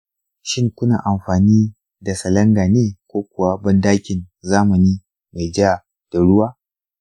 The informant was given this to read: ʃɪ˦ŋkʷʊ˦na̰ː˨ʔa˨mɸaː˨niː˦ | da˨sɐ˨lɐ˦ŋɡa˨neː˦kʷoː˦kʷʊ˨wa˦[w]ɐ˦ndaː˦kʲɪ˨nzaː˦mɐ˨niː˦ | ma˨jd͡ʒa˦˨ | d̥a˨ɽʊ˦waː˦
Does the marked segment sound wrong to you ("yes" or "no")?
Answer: yes